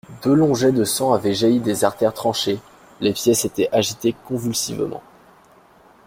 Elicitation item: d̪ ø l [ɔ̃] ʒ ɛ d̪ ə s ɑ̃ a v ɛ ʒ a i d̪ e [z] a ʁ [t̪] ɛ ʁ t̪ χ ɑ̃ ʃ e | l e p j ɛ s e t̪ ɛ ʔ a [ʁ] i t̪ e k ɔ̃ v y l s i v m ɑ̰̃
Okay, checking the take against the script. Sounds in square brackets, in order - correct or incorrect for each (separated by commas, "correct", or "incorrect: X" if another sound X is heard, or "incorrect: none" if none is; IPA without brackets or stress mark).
correct, correct, correct, incorrect: ʒ